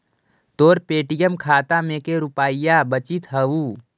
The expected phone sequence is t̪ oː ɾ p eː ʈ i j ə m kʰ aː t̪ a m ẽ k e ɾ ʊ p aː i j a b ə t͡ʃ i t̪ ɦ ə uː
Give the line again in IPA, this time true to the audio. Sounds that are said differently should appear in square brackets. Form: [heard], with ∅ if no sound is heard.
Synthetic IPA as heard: t̪ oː ɾ p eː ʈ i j ə m kʰ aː t̪ a m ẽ k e ɾ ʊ p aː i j a b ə t͡ʃ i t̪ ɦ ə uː